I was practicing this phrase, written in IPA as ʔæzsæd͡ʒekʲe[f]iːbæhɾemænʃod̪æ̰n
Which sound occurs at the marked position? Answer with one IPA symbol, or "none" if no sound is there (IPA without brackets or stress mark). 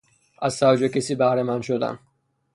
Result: s